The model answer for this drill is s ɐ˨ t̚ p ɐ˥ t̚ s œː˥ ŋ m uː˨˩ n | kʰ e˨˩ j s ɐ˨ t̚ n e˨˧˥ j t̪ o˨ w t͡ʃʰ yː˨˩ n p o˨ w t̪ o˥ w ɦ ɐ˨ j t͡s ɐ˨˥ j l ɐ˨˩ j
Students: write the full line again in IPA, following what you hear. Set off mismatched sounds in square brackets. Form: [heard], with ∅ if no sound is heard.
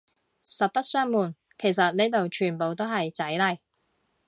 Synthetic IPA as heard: s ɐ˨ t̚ p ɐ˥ t̚ s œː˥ ŋ m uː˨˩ n | kʰ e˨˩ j s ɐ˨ t̚ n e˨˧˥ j t̪ o˨ w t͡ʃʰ yː˨˩ n p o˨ w t̪ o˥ w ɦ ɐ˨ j t͡s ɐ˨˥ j l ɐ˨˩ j